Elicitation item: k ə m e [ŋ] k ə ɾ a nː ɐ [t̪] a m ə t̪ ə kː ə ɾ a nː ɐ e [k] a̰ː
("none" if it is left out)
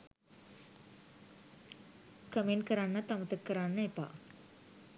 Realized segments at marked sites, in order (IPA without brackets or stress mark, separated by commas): n, t̪, p